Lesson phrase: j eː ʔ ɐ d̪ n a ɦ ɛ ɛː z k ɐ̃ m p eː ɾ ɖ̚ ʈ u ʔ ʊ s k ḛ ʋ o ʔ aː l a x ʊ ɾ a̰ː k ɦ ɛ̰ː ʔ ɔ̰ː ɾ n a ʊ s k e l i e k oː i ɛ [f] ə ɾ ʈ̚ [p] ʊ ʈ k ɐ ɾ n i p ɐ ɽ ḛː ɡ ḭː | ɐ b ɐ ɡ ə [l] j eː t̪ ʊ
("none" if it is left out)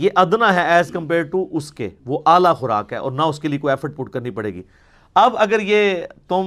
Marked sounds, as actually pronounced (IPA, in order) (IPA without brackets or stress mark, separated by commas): f, p, ɾ